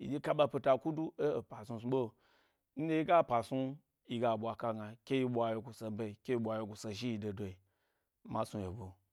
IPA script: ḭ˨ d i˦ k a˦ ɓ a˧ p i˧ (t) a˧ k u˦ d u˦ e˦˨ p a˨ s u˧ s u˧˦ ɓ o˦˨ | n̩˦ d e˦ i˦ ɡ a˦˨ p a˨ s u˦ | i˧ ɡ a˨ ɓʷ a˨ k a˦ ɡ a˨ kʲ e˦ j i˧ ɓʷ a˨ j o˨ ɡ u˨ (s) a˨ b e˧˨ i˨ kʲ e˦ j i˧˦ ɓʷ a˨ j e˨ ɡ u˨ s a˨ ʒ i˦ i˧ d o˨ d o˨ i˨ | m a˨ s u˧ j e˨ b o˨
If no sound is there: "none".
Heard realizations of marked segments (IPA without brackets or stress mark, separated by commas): t, s